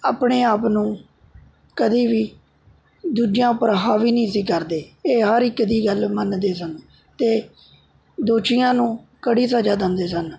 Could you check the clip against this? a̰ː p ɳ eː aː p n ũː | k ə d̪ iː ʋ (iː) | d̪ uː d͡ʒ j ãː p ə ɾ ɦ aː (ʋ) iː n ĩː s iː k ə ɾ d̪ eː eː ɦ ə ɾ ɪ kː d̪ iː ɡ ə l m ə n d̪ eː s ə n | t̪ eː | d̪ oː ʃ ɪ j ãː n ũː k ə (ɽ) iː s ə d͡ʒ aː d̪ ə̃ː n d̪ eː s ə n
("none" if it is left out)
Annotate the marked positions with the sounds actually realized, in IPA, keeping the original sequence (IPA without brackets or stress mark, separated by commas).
iː, ʋ, ɽ